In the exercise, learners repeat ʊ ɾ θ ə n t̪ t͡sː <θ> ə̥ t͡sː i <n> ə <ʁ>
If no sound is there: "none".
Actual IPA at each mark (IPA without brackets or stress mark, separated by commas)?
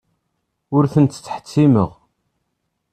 ħ, m, ʁ